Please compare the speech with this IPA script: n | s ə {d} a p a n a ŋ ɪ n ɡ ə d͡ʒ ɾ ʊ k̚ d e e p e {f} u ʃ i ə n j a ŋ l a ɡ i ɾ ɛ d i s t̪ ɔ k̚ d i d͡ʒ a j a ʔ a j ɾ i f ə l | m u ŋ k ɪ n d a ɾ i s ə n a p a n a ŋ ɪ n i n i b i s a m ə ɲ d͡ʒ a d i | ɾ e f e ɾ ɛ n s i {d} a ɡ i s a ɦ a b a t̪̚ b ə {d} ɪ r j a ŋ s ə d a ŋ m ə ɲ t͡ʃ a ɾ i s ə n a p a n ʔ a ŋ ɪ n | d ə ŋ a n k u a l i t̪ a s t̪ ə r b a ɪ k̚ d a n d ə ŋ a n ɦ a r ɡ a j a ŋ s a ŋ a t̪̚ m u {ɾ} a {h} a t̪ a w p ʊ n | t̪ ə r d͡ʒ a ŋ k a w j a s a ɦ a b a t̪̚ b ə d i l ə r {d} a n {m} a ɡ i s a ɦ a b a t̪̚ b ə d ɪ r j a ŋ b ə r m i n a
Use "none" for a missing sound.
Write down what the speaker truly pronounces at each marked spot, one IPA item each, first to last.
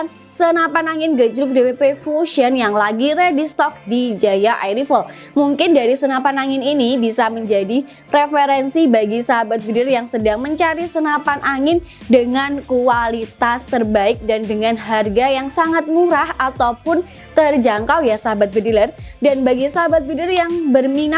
n, f, b, d, ɾ, h, d, b

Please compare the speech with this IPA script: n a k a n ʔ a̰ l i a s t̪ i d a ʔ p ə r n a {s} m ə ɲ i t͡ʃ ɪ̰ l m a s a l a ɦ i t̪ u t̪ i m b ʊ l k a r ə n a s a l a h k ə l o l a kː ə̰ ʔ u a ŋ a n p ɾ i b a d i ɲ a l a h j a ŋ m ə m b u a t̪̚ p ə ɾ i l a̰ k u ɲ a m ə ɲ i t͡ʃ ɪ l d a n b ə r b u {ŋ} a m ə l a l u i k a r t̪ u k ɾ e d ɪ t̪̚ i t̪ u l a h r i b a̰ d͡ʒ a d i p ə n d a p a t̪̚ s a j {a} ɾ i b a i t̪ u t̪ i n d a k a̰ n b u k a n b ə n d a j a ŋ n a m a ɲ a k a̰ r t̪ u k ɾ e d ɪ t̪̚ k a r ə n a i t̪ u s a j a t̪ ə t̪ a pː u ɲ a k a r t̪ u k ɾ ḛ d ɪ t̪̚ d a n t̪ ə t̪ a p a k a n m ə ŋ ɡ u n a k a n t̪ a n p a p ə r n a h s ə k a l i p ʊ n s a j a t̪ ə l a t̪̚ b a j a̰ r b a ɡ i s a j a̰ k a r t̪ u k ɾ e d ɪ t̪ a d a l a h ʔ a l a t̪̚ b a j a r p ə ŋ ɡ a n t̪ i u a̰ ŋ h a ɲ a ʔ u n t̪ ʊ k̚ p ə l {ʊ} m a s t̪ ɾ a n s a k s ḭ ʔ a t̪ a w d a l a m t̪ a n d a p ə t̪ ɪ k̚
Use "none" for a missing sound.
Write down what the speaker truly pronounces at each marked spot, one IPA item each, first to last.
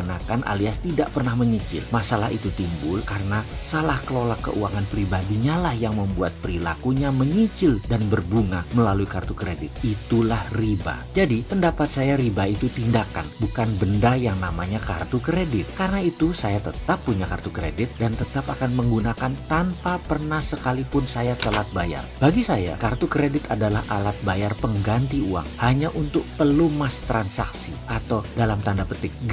h, ŋ, a, u

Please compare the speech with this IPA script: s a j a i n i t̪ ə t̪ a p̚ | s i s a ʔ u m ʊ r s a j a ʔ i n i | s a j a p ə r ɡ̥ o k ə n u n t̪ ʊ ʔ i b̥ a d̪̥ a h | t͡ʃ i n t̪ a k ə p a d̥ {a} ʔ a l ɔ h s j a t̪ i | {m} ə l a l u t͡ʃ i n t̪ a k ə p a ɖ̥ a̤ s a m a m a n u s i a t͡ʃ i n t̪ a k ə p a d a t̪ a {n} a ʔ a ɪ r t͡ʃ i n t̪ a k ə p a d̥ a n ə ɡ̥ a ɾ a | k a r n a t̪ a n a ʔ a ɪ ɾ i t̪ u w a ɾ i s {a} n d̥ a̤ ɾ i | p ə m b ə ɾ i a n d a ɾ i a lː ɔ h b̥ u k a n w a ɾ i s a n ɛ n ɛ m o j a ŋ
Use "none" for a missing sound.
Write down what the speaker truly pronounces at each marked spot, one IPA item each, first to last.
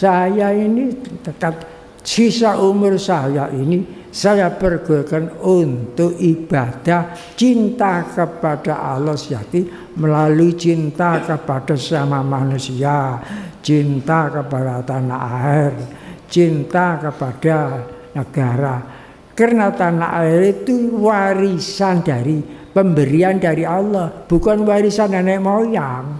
a, m, n, a

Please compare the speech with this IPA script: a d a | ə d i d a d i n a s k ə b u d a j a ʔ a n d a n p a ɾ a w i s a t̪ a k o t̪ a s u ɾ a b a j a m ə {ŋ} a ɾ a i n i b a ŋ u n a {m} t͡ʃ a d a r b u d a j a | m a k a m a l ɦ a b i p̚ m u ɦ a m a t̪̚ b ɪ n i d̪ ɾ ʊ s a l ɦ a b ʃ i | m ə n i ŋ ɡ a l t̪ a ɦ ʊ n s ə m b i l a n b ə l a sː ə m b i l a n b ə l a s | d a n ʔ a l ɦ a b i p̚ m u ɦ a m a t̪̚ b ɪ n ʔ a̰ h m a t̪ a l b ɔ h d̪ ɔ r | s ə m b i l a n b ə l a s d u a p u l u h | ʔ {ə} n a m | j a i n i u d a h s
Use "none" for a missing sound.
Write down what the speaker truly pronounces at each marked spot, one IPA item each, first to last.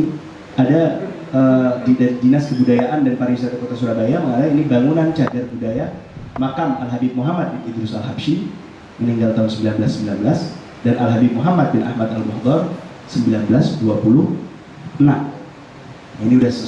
ŋ, n, ə

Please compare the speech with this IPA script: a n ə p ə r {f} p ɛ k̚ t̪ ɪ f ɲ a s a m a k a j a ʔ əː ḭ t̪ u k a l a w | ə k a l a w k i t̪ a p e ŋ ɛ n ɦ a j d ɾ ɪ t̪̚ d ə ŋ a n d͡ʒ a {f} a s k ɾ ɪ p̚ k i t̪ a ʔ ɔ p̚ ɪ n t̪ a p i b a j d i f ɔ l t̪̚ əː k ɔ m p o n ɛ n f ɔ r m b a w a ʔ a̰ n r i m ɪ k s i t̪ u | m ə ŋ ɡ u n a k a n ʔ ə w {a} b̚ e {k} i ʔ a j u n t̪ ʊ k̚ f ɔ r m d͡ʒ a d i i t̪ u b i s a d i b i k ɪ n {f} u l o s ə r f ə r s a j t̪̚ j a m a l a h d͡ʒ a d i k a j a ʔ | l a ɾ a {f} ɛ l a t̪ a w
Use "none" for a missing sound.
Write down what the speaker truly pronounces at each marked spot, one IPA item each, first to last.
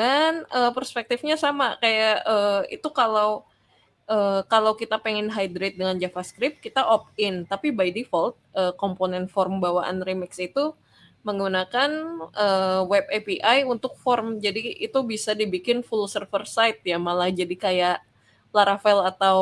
s, f, ɛ, p, f, f

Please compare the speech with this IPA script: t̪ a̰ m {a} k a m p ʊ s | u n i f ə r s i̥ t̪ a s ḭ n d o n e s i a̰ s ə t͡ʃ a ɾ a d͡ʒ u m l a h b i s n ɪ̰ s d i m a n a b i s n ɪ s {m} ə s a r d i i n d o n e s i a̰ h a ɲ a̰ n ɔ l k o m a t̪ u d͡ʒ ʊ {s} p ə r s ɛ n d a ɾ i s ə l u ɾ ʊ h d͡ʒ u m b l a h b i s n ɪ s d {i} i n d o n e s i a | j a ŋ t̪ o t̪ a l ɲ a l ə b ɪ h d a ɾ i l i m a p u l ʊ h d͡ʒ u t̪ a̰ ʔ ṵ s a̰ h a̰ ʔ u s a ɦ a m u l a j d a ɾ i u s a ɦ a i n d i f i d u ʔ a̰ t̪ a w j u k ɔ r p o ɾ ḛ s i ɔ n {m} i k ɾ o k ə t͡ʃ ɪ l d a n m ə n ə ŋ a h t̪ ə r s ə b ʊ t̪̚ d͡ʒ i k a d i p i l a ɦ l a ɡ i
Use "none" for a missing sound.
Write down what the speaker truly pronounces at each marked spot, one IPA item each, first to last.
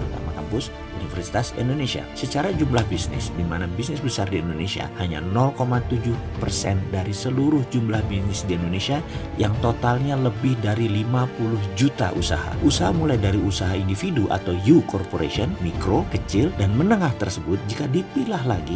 a, b, h, i, m

